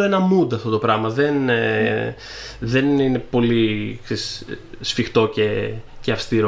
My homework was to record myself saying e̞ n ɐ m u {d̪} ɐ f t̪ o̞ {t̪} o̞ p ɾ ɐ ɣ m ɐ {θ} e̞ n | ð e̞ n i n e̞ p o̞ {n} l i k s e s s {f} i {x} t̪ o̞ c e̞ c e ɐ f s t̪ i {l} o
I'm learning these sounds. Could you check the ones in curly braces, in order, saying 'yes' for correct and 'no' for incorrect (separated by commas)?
yes, yes, no, no, yes, yes, no